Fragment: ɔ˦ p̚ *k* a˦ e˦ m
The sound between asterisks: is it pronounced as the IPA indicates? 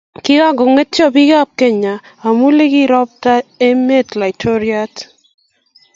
no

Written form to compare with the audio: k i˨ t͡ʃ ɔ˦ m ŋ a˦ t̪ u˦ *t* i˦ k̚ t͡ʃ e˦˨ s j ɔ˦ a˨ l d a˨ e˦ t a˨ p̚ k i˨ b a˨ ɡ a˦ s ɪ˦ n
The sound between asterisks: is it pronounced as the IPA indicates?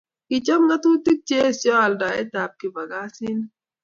yes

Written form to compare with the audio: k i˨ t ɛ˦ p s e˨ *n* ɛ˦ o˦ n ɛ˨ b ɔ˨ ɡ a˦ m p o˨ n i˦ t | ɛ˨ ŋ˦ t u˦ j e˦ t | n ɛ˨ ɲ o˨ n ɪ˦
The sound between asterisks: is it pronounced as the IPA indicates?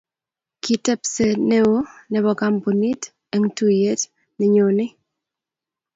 yes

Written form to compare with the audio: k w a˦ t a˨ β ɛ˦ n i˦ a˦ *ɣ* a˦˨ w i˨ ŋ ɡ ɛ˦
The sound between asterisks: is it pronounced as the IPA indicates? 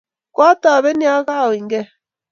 yes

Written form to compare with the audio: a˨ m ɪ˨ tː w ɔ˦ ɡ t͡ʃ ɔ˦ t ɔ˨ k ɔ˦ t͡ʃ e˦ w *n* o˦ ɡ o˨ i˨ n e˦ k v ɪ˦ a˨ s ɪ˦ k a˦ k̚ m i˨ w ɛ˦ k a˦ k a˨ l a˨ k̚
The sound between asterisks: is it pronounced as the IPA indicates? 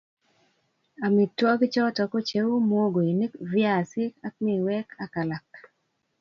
no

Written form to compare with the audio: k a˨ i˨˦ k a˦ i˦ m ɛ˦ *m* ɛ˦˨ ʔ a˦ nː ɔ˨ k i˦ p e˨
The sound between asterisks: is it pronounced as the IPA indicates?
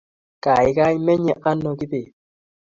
no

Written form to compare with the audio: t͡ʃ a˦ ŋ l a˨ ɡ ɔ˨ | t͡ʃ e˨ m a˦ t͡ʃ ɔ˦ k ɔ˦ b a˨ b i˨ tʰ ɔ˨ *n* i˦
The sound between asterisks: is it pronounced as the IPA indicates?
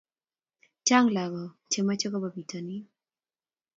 yes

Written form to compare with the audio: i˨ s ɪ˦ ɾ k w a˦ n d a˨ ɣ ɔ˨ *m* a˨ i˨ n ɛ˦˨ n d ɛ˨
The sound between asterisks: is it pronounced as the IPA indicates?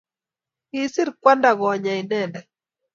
no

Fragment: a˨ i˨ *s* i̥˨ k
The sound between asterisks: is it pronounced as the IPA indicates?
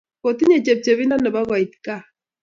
no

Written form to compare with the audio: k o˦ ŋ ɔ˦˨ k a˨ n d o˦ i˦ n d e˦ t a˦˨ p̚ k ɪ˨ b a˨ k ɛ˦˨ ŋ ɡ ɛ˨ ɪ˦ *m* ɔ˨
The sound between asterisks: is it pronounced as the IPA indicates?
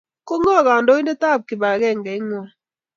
no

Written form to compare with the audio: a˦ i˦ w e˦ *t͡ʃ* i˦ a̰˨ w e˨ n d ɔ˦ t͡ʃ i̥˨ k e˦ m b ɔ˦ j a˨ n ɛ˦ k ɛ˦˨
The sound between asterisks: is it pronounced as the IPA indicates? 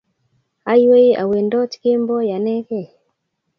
no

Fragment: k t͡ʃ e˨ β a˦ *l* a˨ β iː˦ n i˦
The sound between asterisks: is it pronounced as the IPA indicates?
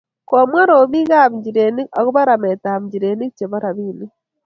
no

